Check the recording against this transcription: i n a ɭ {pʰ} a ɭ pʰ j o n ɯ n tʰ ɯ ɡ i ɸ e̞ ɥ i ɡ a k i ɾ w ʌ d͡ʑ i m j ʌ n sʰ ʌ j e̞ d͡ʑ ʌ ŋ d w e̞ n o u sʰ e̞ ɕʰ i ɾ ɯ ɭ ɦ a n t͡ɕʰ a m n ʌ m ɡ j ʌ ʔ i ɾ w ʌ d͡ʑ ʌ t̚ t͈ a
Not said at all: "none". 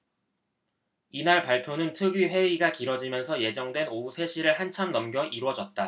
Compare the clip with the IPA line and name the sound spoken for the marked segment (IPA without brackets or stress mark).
p